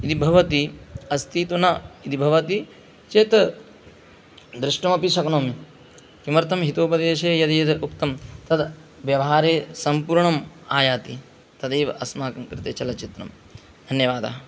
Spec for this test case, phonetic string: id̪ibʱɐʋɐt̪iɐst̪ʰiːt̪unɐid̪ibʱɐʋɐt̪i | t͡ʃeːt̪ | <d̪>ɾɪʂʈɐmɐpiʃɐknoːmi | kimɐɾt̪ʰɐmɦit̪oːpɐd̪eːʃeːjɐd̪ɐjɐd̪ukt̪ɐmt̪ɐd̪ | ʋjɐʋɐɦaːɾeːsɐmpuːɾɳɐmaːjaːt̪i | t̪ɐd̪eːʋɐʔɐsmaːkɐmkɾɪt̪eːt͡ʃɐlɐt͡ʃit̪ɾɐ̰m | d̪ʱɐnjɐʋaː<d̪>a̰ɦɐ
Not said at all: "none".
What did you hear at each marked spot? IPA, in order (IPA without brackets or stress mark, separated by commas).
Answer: d̪, d̪